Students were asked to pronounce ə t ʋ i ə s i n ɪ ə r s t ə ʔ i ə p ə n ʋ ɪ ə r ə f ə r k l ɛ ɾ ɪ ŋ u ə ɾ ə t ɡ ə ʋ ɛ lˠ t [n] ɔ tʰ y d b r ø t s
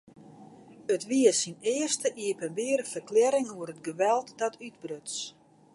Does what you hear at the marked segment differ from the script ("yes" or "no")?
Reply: yes